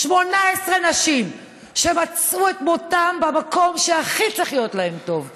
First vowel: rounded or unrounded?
rounded